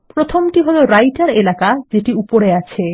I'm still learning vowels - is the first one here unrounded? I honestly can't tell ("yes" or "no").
no